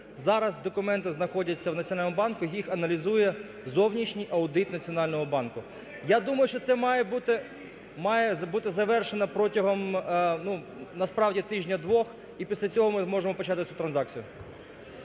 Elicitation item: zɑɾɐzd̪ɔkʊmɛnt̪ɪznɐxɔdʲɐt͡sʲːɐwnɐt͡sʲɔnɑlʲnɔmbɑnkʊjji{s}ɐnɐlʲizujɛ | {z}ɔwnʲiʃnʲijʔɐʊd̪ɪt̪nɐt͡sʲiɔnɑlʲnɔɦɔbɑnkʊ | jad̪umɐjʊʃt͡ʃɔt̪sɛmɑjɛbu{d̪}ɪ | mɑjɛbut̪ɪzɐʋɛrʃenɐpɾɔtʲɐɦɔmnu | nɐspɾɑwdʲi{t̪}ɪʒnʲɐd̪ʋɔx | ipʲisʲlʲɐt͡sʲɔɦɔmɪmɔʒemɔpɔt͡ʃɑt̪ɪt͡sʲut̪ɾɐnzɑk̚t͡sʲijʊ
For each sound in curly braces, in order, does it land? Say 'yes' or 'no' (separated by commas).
no, yes, no, yes